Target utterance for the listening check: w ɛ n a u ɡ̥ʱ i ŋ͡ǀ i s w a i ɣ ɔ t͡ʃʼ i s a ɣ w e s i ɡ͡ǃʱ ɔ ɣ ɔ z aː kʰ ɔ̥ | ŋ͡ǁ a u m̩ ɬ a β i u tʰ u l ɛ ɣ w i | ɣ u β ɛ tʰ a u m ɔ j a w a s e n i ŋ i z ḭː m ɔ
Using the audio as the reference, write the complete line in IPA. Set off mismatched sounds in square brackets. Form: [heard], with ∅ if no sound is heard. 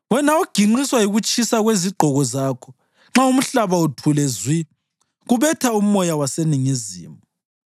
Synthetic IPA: w ɛ n a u ɡ̥ʱ i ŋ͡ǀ i s w a i ɣ [u] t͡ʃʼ i s a ɣ w e [z] i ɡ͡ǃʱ ɔ ɣ ɔ z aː kʰ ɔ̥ | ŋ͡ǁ a u m̩ ɬ a β [a] u tʰ u l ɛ [z] w i | ɣ u β ɛ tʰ a u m ɔ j a w a s e n i ŋ i z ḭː m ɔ